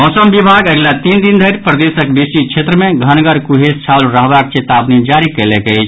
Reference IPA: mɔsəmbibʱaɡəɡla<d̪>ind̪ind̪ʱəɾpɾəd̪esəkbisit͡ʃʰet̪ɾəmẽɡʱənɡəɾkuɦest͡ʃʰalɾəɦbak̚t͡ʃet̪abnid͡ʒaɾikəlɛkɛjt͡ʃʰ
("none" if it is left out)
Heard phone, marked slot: t̪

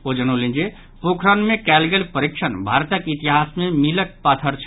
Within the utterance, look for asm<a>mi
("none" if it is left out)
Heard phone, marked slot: e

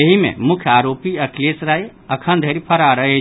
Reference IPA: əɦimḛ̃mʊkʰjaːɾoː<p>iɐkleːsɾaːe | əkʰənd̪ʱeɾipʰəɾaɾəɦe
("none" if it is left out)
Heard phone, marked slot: p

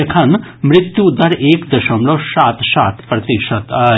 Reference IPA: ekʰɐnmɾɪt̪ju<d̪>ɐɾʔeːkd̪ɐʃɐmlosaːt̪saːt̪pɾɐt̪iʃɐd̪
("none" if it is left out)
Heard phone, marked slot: d̪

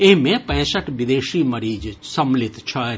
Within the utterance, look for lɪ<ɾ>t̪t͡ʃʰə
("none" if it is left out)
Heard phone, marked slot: none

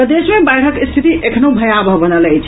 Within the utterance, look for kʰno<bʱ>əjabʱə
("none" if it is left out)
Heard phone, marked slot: bʱ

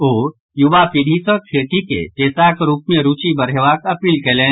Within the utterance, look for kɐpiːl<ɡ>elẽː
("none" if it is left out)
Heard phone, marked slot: k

